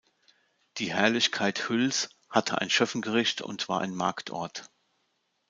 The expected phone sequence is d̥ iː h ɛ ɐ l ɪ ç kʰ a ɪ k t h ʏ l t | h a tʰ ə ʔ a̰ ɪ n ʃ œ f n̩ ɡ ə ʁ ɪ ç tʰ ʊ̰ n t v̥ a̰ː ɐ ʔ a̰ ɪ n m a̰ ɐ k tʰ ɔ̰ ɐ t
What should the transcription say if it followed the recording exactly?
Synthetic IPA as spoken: d̥ iː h ɛ ɐ l ɪ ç kʰ a ɪ t h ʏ l s | h a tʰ ə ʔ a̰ ɪ n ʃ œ f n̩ ɡ ə ʁ ɪ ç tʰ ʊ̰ n t v̥ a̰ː ɐ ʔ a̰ ɪ n m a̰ ɐ k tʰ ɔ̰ ɐ t